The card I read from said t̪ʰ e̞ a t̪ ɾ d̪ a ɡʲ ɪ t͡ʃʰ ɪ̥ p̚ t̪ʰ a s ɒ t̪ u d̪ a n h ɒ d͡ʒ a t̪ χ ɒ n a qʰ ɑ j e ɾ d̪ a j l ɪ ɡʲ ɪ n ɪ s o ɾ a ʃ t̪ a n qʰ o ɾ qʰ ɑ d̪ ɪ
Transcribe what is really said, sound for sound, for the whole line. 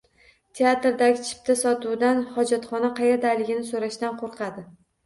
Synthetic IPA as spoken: t̪ʰ e̞ a t̪ ɾ d̪ a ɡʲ ɪ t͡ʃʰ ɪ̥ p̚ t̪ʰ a s ɒ t̪ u d̪ a n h ɒ d͡ʒ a t̪ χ ɒ n a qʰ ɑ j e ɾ d̪ a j l ɪ ɡʲ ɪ n ɪ s o ɾ a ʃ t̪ a n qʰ o ɾ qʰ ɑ d̪ ɪ

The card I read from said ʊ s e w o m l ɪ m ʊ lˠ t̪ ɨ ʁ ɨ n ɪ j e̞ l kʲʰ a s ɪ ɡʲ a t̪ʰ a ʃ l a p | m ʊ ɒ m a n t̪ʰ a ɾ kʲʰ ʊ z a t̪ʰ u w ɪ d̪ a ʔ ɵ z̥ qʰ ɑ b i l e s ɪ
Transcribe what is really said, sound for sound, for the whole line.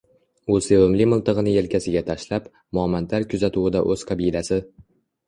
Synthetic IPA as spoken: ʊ s e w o m l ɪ m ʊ lˠ t̪ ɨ ʁ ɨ n ɪ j e̞ l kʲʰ a s ɪ ɡʲ a t̪ʰ a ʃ l a p | m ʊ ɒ m a n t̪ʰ a ɾ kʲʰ ʊ z a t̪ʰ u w ɪ d̪ a ʔ ɵ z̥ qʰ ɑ b i l a s ɪ

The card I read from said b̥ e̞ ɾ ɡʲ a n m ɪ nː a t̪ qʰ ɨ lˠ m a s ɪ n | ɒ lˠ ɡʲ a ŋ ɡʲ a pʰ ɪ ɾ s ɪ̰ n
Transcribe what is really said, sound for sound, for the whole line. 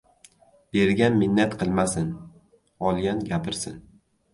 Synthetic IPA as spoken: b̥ e̞ ɾ ɡʲ a n m ɪ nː a t̪ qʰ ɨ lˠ m a s ɪ n | ɒ lˠ ɡʲ a n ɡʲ a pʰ ɪ ɾ s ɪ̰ n

